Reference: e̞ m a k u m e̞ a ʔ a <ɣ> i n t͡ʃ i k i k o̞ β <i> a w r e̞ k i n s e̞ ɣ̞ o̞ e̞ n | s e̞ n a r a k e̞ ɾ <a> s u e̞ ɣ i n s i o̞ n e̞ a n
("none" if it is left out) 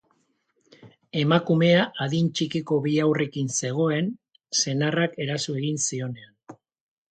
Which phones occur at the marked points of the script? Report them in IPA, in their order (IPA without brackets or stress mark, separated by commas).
ð, i, a